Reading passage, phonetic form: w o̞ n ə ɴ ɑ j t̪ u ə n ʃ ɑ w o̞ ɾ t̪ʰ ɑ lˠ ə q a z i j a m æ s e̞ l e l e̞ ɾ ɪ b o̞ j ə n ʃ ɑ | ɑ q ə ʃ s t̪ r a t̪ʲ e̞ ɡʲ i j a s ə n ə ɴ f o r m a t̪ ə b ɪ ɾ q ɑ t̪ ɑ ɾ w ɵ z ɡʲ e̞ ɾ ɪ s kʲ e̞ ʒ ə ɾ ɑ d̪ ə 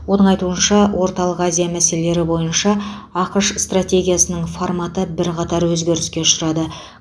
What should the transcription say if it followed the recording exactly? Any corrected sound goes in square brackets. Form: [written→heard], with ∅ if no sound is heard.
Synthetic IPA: w o̞ n ə ɴ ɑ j t̪ u ə n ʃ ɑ w o̞ ɾ [t̪ʰ→t̪] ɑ lˠ ə q a z i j a m æ s e̞ l e l e̞ ɾ ɪ b o̞ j ə n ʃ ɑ | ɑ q ə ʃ s t̪ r a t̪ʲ e̞ ɡʲ i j a s ə n ə ɴ f o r m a t̪ ə b ɪ ɾ q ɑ t̪ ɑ ɾ w ɵ z ɡʲ e̞ ɾ ɪ s kʲ e̞ [ʒ→ʃ] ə ɾ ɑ d̪ ə